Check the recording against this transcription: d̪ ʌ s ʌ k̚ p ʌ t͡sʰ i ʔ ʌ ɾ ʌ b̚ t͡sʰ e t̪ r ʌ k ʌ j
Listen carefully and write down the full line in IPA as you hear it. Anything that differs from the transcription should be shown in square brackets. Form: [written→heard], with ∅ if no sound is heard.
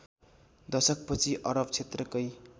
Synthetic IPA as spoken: d̪ ʌ s ʌ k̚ p ʌ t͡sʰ i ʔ ʌ ɾ ʌ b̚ t͡sʰ e t̪ r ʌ k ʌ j